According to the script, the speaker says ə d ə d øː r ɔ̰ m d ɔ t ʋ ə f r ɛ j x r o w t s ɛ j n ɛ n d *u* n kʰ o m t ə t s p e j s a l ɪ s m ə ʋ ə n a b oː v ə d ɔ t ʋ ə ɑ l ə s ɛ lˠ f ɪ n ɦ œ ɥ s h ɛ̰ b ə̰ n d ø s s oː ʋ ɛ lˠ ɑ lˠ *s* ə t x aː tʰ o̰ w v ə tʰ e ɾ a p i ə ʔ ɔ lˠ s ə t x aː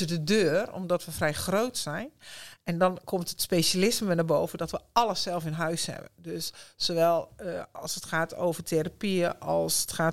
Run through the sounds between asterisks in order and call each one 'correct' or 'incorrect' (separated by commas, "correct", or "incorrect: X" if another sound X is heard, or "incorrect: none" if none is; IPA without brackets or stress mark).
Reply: incorrect: ɔ, correct